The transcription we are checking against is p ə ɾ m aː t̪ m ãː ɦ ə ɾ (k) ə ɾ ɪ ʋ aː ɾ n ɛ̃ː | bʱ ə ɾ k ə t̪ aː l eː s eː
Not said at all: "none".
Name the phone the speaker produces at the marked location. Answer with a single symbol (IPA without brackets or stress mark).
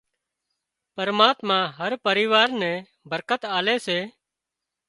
p